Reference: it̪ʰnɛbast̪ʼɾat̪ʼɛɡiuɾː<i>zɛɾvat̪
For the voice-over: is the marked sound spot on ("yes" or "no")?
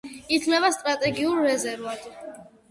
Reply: no